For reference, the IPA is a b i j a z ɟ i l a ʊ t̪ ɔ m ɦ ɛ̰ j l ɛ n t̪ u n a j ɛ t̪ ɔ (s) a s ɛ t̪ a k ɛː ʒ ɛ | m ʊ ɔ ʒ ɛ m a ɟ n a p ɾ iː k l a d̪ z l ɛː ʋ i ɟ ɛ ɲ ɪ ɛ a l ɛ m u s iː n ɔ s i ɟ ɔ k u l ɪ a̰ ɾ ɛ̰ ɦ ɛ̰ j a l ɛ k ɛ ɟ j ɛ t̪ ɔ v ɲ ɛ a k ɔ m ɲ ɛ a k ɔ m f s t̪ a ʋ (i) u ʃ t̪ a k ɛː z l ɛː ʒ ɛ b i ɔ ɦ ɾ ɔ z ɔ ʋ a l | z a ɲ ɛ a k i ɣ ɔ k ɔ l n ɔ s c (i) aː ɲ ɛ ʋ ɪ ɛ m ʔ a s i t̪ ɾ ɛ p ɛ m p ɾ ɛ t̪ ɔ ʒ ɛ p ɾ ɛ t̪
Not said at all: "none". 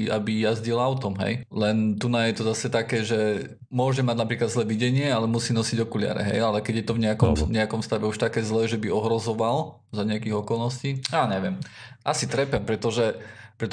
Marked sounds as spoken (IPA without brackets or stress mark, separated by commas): z, ɛ, iː